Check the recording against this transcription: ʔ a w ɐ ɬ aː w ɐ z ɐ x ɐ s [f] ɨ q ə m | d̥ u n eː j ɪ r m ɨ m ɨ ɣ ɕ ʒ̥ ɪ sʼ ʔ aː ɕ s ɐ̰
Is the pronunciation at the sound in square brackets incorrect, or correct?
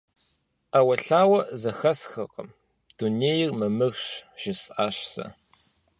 incorrect